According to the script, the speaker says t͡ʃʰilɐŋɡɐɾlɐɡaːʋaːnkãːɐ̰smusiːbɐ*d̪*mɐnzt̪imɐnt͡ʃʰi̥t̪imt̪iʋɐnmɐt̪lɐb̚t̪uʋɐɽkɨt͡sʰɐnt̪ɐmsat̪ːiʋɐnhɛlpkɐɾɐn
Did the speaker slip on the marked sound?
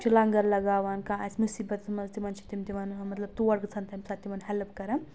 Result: yes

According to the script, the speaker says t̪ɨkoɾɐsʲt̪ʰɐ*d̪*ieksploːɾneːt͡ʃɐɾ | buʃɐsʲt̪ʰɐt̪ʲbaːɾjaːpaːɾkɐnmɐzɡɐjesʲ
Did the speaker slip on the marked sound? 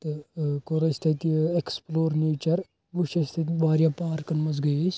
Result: yes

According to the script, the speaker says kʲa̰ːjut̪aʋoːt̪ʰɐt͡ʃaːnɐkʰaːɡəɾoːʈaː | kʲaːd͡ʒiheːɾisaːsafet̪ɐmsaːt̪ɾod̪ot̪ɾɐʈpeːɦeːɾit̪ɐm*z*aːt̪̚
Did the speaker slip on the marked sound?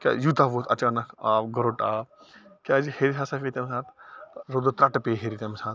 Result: yes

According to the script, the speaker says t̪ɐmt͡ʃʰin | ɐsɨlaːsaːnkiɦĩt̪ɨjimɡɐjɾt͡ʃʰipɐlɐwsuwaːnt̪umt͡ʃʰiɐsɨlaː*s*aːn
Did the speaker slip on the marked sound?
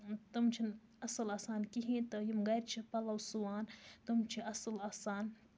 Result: no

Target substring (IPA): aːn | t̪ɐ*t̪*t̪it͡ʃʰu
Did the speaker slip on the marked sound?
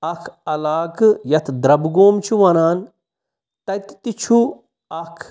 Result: no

